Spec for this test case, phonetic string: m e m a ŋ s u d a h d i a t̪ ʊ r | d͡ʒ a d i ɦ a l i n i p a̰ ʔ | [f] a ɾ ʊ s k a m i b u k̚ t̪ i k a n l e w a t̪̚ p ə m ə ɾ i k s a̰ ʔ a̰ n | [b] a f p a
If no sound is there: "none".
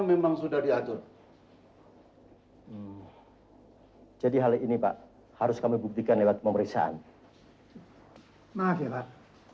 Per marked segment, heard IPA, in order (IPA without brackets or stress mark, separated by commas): h, m